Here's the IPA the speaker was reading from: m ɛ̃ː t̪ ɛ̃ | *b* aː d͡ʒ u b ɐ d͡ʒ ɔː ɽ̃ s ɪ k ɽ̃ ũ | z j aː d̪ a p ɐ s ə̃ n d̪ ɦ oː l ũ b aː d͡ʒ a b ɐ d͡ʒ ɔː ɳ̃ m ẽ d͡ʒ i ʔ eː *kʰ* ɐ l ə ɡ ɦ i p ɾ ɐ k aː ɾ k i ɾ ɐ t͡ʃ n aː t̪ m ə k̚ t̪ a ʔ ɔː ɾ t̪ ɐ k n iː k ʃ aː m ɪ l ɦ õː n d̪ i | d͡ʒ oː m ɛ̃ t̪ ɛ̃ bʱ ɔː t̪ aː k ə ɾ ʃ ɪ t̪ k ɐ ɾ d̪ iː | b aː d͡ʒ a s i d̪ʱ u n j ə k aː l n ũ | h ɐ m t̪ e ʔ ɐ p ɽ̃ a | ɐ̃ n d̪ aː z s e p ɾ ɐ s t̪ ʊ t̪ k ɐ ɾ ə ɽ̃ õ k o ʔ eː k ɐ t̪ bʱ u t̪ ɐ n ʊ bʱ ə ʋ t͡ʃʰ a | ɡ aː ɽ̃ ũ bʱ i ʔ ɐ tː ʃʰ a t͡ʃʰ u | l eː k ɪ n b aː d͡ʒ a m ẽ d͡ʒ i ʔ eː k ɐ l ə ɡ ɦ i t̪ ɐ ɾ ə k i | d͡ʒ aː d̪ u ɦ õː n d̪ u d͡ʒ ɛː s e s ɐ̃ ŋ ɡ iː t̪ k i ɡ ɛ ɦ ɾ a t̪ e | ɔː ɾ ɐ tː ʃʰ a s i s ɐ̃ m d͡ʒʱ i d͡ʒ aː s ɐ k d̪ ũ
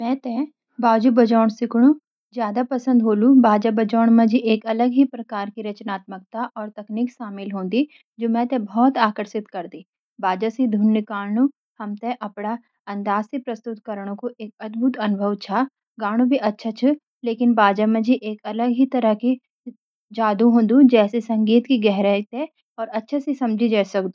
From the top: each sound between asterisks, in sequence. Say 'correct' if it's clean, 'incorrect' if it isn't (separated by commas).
correct, incorrect